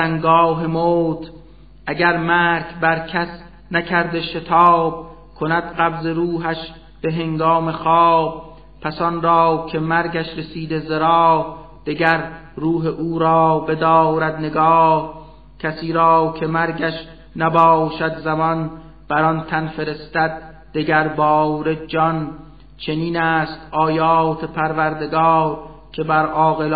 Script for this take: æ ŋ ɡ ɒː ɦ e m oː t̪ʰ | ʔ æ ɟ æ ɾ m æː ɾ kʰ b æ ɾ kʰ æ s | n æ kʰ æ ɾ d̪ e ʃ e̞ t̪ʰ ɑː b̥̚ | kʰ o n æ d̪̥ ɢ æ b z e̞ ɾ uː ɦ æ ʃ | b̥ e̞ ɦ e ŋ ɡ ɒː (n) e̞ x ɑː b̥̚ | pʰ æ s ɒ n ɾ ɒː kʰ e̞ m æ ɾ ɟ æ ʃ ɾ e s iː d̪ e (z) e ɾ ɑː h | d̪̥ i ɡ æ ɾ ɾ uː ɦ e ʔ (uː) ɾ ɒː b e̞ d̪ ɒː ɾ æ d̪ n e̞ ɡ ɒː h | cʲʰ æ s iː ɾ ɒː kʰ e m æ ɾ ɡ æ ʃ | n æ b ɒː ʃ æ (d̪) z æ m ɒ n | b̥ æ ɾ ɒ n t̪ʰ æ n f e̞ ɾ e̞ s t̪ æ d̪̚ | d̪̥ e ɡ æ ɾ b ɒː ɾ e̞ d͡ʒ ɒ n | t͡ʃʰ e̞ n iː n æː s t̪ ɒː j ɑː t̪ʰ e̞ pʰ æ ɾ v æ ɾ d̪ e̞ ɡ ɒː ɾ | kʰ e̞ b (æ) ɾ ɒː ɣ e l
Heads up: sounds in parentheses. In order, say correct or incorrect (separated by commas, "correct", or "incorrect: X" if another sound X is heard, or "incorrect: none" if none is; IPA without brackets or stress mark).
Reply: incorrect: m, correct, correct, correct, correct